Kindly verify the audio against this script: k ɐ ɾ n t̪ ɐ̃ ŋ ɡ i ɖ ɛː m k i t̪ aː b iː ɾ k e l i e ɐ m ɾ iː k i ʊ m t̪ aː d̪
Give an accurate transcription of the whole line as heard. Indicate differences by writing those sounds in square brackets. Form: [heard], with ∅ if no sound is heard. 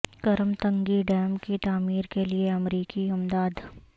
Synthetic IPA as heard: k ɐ ɾ [m] t̪ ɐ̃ ŋ ɡ i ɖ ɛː m k i t̪ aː [m] iː ɾ k e l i e ɐ m ɾ iː k i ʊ m [d̪] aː d̪